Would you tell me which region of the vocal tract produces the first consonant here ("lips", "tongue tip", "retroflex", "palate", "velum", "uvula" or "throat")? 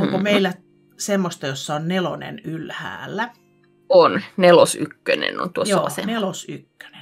velum